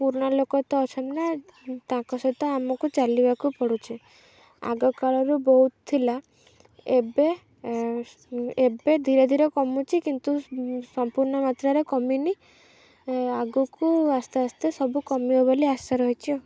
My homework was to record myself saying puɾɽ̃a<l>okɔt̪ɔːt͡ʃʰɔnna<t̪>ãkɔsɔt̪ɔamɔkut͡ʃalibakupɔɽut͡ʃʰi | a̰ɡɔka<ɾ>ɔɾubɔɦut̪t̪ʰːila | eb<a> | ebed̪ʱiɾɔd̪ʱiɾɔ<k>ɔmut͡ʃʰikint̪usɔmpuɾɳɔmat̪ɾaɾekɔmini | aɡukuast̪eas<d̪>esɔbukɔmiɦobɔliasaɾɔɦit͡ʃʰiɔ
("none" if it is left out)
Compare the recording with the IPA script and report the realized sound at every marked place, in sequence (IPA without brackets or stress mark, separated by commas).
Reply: l, t̪, ɭ, e, k, t̪